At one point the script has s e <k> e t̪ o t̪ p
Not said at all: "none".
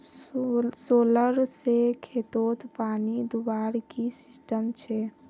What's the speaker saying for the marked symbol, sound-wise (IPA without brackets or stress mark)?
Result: kʰ